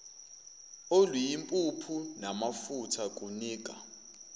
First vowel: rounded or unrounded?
rounded